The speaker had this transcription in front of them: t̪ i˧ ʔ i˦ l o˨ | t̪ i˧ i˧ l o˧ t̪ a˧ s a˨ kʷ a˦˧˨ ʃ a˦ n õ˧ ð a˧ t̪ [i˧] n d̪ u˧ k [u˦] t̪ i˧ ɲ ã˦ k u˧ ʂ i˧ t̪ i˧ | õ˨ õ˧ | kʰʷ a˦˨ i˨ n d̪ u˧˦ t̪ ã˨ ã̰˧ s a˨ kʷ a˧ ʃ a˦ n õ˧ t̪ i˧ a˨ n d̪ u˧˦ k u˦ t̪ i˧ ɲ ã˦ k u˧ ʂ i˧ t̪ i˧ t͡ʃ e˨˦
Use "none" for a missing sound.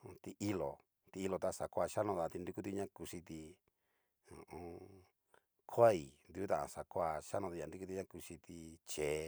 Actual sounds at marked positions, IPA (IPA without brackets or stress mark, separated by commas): i˧, u˦